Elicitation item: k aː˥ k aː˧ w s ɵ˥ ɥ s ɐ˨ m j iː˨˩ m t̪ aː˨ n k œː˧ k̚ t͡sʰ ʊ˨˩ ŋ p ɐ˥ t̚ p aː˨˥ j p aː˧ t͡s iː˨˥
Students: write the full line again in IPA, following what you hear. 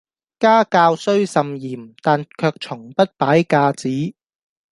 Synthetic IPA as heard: k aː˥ k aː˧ w s ɵ˥ ɥ s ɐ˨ m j iː˨˩ m t̪ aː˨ n kʰ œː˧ k̚ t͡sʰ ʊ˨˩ ŋ p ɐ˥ t̚ p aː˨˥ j k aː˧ t͡s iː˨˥